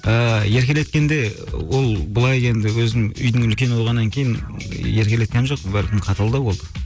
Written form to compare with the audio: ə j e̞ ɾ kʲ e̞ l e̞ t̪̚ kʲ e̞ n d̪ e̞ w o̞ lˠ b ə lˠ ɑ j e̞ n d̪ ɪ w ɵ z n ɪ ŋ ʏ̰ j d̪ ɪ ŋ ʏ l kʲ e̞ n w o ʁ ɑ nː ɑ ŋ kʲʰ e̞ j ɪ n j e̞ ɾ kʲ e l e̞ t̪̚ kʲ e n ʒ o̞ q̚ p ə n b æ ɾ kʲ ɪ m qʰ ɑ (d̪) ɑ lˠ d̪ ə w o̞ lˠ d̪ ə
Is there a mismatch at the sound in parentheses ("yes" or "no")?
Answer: yes